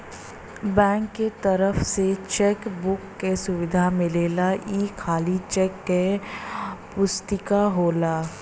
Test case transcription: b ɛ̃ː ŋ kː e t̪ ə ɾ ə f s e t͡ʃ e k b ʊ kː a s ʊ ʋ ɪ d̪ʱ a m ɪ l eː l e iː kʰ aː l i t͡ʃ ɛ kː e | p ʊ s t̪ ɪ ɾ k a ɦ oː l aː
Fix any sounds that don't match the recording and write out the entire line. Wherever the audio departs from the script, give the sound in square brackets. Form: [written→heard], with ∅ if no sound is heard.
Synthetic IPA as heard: b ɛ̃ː ŋ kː e t̪ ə ɾ ə f s e t͡ʃ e k b ʊ kː [a→e] s ʊ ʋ ɪ d̪ʱ a m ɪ l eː l [e→a] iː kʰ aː l i t͡ʃ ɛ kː e | p ʊ s t̪ ɪ [ɾ→∅] k a ɦ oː l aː